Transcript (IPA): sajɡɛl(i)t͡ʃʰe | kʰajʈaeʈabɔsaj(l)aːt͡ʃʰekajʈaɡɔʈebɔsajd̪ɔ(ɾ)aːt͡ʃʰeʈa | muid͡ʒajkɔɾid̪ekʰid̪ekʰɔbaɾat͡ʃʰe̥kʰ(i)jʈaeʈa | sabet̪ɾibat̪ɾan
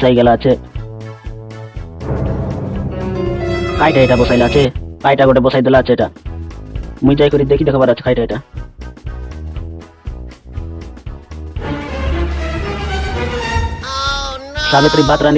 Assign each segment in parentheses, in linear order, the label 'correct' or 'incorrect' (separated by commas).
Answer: incorrect, correct, incorrect, incorrect